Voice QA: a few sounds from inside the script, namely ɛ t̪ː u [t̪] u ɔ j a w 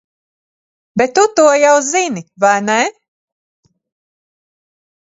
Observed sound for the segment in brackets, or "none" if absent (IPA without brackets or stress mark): t̪